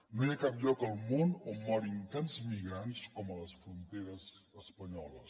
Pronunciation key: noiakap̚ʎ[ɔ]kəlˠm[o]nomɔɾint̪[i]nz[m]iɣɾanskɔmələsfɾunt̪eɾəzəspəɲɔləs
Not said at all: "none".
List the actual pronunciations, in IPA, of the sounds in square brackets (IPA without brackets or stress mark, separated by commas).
ɔ, o, a, m